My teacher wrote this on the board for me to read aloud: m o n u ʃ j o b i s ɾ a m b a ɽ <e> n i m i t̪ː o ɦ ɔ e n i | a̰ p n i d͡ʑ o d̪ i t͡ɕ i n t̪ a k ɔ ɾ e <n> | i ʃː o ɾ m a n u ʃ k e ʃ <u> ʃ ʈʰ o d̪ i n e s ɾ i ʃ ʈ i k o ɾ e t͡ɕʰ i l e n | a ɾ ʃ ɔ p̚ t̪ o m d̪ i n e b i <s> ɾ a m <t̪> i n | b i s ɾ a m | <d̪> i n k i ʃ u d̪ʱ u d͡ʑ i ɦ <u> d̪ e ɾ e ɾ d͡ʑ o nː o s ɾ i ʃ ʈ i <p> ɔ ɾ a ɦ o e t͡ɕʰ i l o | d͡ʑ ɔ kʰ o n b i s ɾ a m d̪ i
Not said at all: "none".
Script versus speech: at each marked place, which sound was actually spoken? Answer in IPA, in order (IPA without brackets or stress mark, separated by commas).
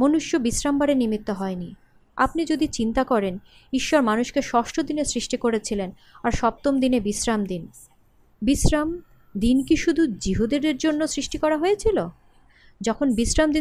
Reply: e, n, ɔ, s, d̪, d̪, u, k